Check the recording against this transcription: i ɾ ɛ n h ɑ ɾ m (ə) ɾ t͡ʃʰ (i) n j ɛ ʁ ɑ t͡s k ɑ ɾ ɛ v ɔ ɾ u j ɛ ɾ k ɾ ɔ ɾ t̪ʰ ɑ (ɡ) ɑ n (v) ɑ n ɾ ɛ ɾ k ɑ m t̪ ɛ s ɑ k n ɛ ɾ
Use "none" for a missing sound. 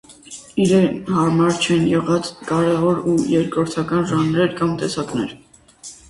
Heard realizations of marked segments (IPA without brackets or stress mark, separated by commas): ɑ, ɛ, k, ʒ